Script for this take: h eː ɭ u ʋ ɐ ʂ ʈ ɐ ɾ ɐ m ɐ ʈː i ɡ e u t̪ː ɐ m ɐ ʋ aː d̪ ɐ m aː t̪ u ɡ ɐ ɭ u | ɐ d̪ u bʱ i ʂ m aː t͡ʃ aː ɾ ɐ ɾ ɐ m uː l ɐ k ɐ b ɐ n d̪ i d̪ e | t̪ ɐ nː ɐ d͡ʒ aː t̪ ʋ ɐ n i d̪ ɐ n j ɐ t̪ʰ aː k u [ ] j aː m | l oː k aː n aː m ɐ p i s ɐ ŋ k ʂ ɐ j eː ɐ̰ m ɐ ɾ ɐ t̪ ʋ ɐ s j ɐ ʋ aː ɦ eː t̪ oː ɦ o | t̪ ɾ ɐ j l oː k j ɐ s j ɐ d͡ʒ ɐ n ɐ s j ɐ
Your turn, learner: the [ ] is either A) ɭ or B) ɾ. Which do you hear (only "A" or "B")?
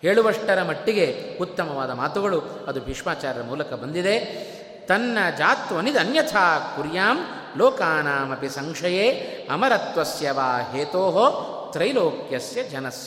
B